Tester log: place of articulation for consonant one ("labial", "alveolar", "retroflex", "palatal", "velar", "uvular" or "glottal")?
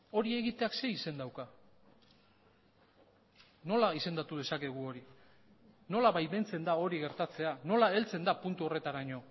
alveolar